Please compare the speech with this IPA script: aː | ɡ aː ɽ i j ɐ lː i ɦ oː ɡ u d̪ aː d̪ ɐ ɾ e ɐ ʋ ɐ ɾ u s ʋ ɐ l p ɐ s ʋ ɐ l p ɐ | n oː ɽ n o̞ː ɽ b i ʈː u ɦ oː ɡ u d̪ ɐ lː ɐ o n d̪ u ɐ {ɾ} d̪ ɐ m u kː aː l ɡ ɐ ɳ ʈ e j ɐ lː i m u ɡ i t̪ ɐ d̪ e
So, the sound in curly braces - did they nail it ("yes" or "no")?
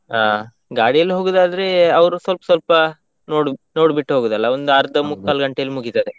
yes